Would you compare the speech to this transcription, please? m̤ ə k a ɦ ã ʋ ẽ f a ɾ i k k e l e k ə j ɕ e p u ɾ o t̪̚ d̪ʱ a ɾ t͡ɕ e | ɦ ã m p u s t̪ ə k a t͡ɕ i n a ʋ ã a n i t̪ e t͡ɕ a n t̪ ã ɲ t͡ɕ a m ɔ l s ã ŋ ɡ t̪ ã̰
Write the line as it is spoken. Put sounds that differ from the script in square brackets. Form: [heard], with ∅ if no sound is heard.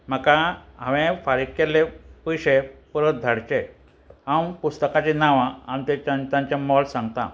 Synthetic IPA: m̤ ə k a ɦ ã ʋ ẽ f a ɾ i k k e l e [p] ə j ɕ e p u ɾ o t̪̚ d̪ʱ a [ɽ] t͡ɕ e | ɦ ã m p u s t̪ ə k a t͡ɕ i n a ʋ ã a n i t̪ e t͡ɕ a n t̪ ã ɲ t͡ɕ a m ɔ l s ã ŋ ɡ t̪ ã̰